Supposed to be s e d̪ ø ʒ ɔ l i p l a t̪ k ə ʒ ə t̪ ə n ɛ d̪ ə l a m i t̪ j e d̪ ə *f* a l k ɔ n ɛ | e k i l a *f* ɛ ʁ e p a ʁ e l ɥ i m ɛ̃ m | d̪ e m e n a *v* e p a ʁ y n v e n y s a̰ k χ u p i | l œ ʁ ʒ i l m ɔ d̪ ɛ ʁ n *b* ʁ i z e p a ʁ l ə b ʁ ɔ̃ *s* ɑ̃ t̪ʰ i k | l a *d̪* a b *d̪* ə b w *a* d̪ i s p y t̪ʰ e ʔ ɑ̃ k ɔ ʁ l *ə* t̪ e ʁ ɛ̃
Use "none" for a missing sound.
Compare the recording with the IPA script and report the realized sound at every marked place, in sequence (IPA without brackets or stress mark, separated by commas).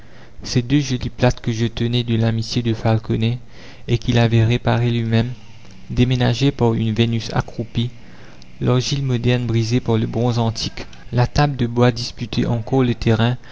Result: f, v, ʒ, b, z, t̪, d̪, a, ə